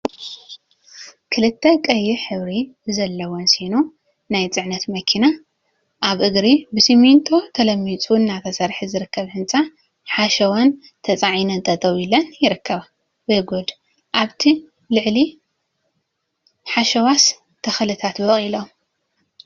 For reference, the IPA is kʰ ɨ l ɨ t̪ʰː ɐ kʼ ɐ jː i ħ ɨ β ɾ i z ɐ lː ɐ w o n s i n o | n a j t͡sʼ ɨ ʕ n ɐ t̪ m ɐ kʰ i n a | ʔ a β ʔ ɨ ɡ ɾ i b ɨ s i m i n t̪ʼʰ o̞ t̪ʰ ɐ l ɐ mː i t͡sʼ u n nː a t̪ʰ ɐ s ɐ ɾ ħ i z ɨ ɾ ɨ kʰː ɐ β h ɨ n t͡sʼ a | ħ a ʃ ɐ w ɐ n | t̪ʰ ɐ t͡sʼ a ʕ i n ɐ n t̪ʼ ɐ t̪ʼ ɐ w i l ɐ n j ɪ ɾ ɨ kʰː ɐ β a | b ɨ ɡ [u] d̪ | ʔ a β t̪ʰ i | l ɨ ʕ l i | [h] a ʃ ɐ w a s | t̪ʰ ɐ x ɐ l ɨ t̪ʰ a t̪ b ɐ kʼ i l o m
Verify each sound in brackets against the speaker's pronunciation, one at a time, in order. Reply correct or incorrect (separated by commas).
incorrect, incorrect